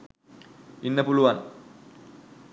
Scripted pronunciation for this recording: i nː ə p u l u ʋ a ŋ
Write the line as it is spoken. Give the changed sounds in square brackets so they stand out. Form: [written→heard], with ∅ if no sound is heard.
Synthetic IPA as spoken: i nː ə p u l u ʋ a [ŋ→n]